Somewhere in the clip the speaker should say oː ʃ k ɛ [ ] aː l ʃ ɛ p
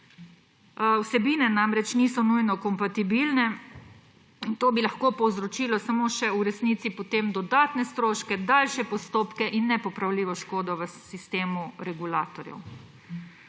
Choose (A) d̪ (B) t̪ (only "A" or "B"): A